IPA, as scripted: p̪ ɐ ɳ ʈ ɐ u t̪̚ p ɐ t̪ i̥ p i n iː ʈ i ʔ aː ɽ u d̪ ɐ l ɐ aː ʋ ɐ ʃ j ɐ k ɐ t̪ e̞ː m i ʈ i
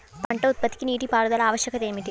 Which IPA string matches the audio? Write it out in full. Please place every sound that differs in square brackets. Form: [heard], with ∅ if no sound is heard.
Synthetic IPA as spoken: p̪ ɐ ɳ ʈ ɐ u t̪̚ p ɐ t̪ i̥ [k] i n iː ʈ i [p] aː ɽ u d̪ ɐ l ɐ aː ʋ ɐ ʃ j ɐ k ɐ t̪ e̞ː m i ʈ i